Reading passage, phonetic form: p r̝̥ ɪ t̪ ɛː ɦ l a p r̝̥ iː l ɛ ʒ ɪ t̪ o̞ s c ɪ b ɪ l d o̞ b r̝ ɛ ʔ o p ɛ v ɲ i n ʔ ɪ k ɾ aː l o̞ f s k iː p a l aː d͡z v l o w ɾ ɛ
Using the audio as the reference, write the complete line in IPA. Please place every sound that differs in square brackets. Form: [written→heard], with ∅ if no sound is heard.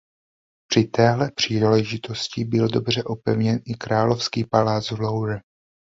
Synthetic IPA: p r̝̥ ɪ t̪ ɛː ɦ l [a→ɛ] p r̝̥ iː l ɛ ʒ ɪ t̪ o̞ s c ɪ b ɪ l d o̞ b r̝ ɛ ʔ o p ɛ v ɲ [i→ɛ] n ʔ ɪ k ɾ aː l o̞ f s k iː p a l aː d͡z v l o w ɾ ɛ